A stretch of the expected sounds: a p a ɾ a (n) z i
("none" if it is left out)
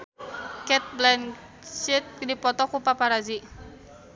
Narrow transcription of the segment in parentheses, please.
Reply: none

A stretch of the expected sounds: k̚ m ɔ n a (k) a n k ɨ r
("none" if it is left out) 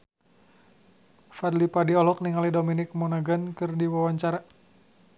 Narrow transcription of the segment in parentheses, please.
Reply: ɡ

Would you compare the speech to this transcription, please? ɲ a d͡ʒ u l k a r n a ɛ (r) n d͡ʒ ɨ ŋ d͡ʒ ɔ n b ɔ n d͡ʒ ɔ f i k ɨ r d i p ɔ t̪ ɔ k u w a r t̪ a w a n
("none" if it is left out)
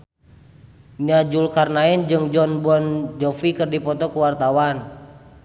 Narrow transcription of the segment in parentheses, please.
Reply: none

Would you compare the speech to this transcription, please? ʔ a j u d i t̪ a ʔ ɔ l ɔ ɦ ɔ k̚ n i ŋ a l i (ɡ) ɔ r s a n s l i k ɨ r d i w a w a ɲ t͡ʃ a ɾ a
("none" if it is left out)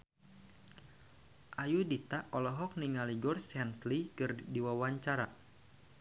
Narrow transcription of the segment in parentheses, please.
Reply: ɡ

